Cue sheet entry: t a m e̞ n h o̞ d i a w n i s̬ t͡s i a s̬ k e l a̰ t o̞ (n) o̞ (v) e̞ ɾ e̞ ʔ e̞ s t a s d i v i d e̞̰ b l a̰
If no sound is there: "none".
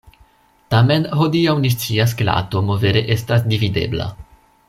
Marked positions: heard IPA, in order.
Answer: m, v

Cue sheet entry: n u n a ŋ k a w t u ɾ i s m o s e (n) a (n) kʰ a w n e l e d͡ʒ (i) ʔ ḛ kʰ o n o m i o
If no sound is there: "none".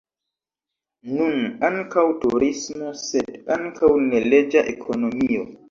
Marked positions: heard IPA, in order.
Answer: d, ŋ, a

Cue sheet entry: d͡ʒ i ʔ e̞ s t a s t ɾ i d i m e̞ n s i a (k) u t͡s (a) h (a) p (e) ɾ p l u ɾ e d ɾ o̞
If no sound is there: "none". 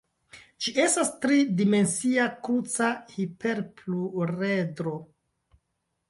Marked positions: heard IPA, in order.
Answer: k, a, i, e

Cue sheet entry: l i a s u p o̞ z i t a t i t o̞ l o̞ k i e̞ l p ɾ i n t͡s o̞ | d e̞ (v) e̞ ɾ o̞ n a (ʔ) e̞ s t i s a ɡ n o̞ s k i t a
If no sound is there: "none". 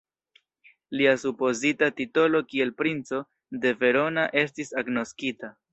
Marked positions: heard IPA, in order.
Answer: v, ʔ

